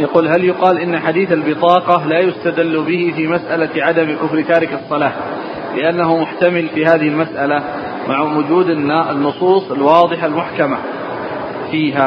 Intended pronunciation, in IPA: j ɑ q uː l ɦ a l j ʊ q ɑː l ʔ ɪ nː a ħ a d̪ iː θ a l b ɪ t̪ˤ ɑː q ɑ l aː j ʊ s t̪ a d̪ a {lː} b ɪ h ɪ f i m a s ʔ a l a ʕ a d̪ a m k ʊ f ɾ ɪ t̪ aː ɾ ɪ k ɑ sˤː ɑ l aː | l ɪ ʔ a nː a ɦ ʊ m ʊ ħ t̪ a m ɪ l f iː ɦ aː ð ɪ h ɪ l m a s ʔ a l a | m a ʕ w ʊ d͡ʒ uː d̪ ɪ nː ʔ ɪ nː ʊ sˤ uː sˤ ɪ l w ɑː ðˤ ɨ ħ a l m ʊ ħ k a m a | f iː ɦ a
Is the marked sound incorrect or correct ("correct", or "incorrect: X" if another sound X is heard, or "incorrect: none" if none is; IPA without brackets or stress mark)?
correct